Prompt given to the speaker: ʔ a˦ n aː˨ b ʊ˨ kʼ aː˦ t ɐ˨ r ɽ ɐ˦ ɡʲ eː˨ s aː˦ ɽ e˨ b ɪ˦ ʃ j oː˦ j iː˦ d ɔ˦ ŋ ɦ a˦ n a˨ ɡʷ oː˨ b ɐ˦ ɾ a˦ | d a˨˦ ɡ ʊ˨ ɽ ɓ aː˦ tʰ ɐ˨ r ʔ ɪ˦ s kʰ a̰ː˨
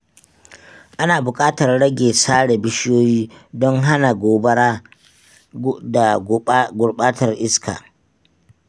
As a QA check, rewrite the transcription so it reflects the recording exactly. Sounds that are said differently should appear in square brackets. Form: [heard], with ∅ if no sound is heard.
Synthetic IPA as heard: ʔ a˦ n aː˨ b ʊ˨ kʼ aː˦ t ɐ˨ r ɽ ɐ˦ ɡʲ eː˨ s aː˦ ɽ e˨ b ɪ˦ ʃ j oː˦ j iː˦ d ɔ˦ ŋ ɦ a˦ n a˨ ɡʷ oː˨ b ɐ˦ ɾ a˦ | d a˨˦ ɡ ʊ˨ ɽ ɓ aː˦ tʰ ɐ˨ r ʔ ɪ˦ s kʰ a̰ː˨